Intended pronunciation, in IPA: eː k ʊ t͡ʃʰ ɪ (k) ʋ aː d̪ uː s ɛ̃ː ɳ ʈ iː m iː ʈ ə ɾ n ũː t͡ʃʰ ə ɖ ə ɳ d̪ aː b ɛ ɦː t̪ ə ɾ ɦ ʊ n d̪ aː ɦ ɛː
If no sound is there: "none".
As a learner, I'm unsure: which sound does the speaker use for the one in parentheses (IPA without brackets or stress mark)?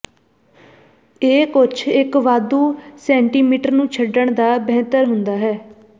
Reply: k